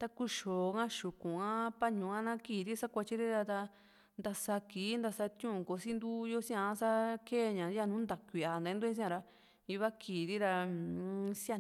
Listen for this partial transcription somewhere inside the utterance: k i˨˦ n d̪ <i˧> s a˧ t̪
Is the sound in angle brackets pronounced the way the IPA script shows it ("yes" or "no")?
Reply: no